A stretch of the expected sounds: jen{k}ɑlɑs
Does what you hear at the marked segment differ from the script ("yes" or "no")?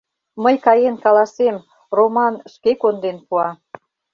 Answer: no